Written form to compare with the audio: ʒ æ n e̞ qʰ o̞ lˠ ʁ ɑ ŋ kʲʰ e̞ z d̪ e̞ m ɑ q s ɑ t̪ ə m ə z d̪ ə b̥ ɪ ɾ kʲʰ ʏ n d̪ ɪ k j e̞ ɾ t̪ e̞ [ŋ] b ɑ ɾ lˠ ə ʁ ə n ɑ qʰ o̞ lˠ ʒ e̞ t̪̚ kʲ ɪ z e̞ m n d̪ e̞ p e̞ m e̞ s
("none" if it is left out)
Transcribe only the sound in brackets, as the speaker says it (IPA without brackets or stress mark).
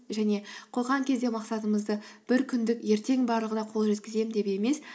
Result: ŋ